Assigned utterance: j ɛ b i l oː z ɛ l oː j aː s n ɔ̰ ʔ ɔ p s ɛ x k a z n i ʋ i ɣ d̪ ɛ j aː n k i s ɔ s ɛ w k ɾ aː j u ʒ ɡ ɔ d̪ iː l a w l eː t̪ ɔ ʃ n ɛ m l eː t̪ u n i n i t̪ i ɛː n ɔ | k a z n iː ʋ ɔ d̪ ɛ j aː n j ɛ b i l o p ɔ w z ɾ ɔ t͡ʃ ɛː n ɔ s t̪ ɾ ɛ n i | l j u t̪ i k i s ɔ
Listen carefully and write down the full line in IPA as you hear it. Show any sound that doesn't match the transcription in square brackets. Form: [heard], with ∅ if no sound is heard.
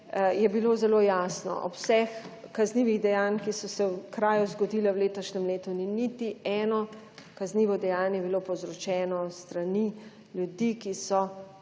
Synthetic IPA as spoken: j ɛ b i l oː z ɛ l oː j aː s n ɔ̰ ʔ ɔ p s ɛ x k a z n i ʋ i ɣ d̪ ɛ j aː n k i s ɔ s ɛ w k ɾ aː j u [z] ɡ ɔ d̪ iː l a w l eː t̪ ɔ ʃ n ɛ m l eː t̪ u n i n i t̪ i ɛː n ɔ | k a z n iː ʋ ɔ d̪ ɛ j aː n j ɛ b i l o p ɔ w z ɾ ɔ t͡ʃ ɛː n ɔ s t̪ ɾ [a] n i | l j u [d̪] i k i s ɔ